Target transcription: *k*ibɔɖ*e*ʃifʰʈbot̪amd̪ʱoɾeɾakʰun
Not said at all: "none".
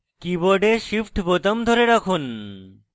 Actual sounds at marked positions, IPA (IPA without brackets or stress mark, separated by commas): k, e